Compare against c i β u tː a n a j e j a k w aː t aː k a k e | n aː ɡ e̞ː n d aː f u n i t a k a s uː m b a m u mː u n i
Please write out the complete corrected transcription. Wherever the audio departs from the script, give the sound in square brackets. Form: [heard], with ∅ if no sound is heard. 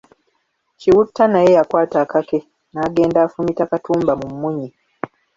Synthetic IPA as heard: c i [w] u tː a n a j e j a k w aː t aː k a k e | n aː ɡ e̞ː n d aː f u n i t a k a [t] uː m b a m u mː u [ɲ] i